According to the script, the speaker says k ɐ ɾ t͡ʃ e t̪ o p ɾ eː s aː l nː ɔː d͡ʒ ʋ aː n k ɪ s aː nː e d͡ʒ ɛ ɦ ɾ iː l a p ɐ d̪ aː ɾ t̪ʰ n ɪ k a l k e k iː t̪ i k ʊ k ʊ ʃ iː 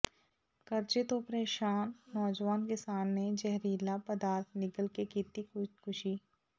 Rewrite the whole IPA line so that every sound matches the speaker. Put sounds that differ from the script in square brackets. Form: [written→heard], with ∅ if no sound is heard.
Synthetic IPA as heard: k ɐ ɾ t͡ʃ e t̪ o p ɾ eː [s→ʃ] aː [l→∅] nː ɔː d͡ʒ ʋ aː n k ɪ s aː nː e d͡ʒ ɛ ɦ ɾ iː l a p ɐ d̪ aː ɾ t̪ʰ n ɪ k [a→ə] l k e k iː t̪ i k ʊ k ʊ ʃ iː